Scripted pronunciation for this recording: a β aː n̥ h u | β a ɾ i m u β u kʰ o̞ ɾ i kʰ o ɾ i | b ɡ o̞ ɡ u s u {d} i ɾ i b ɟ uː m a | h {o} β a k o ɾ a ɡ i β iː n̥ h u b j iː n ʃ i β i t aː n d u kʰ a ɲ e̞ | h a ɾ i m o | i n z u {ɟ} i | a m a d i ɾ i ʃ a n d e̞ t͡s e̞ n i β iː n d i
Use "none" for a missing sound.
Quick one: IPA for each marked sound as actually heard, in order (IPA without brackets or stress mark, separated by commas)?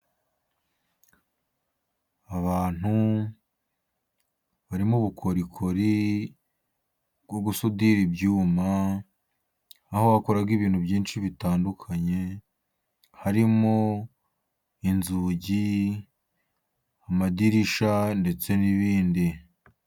d, o, ɟ